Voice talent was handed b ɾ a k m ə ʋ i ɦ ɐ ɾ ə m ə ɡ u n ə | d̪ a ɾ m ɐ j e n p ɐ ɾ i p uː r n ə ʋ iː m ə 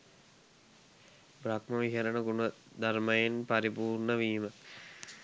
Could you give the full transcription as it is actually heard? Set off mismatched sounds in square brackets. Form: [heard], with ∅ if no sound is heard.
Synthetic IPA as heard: b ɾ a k m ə ʋ i ɦ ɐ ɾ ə [n] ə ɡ u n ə | d̪ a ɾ m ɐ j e n p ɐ ɾ i p uː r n ə ʋ iː m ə